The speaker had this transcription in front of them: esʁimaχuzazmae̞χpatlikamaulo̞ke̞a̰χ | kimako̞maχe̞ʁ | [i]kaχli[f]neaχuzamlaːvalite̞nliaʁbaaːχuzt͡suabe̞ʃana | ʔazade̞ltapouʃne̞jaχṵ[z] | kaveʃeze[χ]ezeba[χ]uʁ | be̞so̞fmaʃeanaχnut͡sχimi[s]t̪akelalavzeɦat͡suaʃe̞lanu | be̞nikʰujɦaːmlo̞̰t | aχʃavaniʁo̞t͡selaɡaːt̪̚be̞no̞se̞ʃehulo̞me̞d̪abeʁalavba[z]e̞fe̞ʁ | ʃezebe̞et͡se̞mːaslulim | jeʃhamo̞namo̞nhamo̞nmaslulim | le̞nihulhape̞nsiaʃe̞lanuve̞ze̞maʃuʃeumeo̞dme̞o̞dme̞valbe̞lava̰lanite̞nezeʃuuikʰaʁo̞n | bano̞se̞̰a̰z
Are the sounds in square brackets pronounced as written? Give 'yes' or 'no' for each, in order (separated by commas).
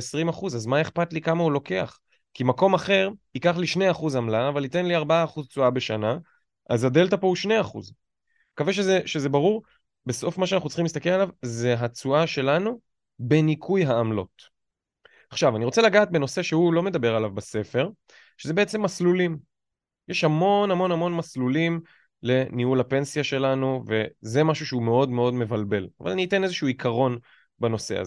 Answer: yes, no, yes, no, no, yes, no